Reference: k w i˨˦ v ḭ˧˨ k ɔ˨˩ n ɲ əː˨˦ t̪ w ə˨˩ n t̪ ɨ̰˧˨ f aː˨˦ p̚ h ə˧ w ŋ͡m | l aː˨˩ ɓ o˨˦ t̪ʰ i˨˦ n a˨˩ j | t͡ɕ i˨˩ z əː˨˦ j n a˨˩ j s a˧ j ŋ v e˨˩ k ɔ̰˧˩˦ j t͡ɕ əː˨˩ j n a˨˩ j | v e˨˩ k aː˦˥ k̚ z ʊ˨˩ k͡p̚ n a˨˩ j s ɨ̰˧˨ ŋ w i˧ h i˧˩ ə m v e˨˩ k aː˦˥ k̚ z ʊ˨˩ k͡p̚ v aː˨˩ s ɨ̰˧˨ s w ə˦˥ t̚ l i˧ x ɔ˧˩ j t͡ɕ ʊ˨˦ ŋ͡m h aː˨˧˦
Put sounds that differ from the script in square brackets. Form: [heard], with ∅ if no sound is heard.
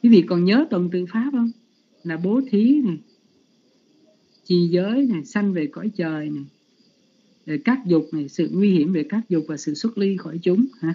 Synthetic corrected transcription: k w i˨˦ v ḭ˧˨ k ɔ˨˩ n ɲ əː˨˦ t̪ w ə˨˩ n t̪ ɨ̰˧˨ f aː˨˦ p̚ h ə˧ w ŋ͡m | l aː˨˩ ɓ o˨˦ t̪ʰ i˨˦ n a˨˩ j | t͡ɕ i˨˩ z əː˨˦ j n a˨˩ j s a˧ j ŋ v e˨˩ k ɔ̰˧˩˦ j t͡ɕ əː˨˩ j n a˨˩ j | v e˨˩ k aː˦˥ k̚ z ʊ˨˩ k͡p̚ n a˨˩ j s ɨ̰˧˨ ŋ w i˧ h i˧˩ ə m v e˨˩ k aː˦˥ k̚ z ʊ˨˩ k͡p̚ v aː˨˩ s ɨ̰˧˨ s w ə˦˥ t̚ l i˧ x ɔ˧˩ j t͡ɕ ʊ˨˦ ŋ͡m h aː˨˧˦